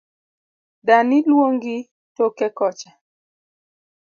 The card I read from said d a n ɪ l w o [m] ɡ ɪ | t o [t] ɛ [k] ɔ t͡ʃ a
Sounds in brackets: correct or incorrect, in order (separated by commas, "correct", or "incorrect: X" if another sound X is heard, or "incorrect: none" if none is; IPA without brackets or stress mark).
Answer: incorrect: ŋ, incorrect: k, correct